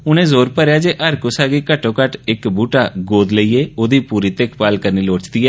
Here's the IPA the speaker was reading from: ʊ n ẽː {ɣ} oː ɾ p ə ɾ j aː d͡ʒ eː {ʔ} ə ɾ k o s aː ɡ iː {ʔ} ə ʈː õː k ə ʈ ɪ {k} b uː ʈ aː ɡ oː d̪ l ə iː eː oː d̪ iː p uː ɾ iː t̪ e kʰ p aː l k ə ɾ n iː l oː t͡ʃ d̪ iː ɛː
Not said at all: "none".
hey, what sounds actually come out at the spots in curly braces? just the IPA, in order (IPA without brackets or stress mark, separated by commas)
z, ʔ, k, k